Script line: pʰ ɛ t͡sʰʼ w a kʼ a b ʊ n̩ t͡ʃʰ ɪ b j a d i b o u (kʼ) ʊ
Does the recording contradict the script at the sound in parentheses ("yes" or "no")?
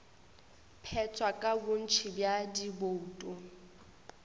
yes